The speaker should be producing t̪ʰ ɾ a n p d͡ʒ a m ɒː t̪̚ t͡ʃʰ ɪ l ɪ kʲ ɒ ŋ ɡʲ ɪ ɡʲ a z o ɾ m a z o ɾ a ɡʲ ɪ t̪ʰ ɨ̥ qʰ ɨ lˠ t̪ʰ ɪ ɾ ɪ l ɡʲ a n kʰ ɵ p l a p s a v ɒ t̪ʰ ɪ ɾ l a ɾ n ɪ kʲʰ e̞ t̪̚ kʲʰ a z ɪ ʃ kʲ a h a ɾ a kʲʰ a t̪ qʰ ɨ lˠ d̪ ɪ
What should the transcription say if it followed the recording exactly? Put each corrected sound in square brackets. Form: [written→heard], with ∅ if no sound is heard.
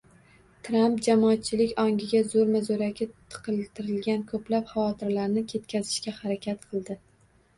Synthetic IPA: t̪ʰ ɾ a [n→m] p d͡ʒ a m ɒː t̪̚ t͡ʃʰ ɪ l ɪ kʲ ɒ ŋ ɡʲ ɪ ɡʲ a z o ɾ m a z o ɾ a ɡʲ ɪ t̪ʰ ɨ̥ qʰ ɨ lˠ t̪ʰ ɪ ɾ ɪ l ɡʲ a n kʰ ɵ p l a p [s→χ] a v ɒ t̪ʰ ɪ ɾ l a ɾ n ɪ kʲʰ e̞ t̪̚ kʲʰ a z ɪ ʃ kʲ a h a ɾ a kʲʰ a t̪ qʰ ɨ lˠ d̪ ɪ